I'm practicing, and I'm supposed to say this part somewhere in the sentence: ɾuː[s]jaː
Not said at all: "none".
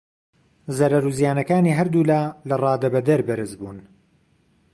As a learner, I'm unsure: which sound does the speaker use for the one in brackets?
z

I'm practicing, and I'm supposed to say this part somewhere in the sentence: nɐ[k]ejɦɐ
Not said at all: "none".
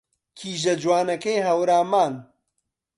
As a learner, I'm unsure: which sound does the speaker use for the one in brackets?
k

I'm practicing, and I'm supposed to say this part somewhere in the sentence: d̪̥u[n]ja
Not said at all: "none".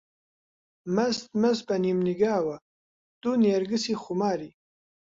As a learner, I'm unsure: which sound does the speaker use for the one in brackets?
n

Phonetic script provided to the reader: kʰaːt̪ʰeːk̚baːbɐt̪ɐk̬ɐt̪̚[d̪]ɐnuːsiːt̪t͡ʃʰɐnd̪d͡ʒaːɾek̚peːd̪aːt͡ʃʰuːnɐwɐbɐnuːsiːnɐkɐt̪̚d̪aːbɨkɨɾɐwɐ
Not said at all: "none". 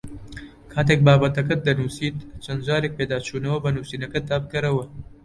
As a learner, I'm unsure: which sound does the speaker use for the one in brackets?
d̪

